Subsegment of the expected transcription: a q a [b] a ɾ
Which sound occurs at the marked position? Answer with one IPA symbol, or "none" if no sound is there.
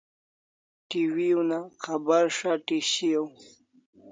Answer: b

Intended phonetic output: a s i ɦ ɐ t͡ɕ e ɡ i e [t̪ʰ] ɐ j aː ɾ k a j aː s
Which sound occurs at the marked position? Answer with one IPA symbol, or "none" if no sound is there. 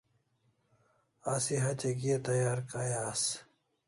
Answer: t̪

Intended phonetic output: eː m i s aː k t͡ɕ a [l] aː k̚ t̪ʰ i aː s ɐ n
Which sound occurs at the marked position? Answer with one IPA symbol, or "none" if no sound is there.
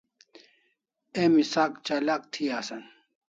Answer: l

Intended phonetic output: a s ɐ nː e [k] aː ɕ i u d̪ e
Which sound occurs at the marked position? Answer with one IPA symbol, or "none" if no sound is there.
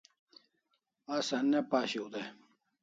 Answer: p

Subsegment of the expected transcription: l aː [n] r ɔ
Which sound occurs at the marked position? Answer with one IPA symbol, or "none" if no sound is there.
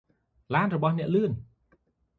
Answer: n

